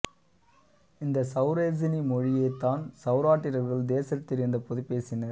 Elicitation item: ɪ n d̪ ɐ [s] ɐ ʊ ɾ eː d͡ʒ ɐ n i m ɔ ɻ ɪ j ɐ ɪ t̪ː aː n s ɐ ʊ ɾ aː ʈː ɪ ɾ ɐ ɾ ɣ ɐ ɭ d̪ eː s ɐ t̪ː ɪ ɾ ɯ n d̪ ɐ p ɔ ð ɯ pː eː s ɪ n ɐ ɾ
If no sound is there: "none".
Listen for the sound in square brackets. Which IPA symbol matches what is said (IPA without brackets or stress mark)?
s